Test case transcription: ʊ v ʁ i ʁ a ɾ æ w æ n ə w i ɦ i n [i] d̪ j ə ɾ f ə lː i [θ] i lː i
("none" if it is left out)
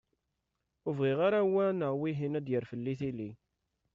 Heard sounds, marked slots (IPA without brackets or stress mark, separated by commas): æ, θ